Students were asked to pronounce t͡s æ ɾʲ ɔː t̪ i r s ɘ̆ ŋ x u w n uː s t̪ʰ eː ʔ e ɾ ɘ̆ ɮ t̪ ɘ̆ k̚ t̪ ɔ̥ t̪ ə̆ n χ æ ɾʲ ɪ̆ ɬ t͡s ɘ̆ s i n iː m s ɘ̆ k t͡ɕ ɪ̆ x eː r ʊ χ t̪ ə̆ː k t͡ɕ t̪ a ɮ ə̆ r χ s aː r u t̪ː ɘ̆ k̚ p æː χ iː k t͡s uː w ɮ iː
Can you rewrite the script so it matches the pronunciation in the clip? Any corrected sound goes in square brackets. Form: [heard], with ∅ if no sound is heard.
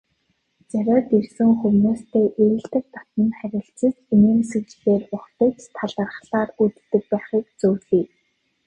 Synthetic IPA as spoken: t͡s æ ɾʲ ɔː t̪ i r s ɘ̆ ŋ x u w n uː s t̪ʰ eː ʔ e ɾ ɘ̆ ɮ t̪ ɘ̆ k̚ t̪ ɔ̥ t̪ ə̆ n χ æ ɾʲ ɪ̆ ɬ t͡s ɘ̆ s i n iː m s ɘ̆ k t͡ɕ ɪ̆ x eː r ʊ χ t̪ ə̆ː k t͡ɕ [t̪ʰ] a ɮ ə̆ r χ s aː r u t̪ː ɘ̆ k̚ p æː χ iː k t͡s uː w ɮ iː